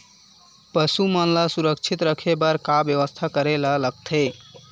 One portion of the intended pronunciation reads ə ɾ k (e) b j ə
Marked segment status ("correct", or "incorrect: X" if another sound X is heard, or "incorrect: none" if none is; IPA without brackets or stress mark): incorrect: a